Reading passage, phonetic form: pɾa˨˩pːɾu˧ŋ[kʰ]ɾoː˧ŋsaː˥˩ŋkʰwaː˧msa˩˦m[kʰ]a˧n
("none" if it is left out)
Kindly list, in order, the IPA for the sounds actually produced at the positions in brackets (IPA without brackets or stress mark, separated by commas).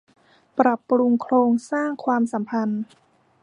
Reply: kʰ, pʰ